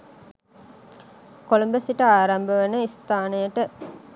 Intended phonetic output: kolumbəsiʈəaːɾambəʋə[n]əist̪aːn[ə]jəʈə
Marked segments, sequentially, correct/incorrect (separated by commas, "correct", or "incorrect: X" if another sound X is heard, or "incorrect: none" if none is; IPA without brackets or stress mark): correct, correct